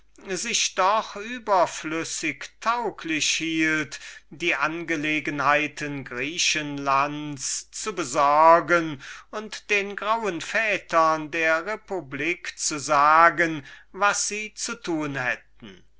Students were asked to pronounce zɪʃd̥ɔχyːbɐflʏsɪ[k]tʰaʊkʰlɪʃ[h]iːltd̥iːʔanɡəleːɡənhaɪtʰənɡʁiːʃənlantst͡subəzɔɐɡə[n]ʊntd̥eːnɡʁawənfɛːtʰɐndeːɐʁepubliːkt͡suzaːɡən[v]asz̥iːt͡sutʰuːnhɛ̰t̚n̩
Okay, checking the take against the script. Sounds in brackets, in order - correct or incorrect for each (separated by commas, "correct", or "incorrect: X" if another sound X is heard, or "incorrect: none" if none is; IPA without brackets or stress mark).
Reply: correct, correct, correct, correct